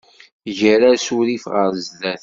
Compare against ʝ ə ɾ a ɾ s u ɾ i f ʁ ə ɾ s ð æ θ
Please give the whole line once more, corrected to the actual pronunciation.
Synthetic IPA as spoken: ʝ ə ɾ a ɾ s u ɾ i f ʁ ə ɾ z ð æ θ